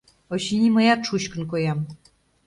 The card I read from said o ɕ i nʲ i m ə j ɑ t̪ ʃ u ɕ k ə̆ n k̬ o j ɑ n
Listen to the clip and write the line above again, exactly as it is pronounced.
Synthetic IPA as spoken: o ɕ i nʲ i m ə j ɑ t̪ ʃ u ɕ k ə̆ n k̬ o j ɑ m